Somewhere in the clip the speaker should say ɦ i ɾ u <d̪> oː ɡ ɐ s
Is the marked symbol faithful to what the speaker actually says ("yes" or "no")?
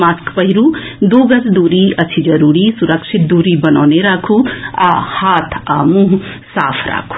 yes